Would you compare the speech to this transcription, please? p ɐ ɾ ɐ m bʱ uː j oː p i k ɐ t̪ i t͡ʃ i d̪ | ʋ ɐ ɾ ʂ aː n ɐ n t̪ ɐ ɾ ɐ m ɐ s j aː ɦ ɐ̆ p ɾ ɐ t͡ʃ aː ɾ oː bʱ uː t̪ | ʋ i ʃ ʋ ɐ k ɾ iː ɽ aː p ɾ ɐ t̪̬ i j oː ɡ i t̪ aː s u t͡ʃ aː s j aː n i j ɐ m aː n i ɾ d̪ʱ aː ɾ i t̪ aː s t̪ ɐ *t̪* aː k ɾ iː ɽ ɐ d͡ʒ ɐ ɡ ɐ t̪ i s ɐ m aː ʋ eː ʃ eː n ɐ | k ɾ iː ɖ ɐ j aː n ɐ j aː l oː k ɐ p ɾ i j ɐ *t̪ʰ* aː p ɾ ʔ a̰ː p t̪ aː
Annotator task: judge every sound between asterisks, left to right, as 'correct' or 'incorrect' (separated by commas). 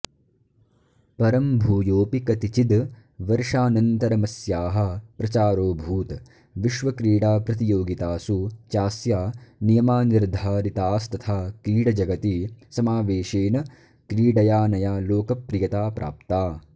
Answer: incorrect, incorrect